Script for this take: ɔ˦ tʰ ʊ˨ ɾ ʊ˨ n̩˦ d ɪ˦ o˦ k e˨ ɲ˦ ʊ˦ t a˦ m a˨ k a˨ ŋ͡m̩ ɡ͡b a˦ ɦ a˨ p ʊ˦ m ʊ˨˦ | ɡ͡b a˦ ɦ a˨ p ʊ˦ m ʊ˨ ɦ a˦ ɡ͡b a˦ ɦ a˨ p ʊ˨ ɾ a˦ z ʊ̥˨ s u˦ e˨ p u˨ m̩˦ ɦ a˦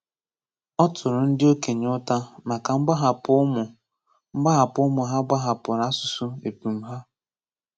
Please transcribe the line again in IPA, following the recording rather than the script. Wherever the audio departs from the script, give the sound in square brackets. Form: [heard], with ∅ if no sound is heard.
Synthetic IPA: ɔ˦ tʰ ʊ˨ ɾ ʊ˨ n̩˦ d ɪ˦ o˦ k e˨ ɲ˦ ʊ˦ t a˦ m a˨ k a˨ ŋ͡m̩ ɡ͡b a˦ ɦ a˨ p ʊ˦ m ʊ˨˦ | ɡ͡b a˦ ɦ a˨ p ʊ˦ m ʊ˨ ɦ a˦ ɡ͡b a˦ ɦ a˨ p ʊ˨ ɾ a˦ [s] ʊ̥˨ s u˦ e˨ p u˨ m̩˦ ɦ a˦